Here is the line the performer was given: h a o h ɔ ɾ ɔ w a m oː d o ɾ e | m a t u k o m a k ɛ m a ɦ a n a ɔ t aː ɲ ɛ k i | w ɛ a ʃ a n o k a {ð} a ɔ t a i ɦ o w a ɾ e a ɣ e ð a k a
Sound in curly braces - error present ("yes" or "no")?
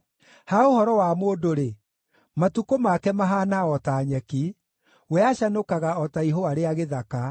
yes